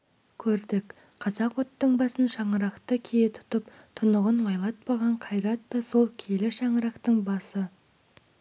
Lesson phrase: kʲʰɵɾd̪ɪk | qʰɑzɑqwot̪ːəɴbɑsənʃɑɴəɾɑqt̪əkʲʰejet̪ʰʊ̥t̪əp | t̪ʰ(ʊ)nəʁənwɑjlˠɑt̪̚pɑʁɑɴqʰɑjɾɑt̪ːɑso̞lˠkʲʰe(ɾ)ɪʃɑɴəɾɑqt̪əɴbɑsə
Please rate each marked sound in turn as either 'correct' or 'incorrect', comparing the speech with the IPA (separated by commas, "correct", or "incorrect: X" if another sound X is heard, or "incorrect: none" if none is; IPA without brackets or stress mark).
correct, incorrect: l